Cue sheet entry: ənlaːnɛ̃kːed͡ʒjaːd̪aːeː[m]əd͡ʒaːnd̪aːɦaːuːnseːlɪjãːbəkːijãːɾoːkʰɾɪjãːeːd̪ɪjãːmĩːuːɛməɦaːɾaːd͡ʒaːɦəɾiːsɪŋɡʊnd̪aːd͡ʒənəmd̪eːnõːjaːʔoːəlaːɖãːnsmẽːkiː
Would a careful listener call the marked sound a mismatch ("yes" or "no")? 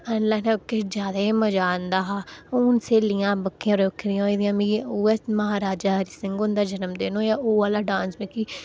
no